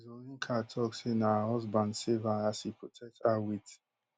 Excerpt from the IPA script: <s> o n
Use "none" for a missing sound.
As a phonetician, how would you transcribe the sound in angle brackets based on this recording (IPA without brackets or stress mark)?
z